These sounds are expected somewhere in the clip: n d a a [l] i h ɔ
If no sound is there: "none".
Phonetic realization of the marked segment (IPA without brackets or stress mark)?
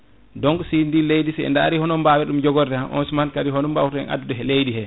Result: ɾ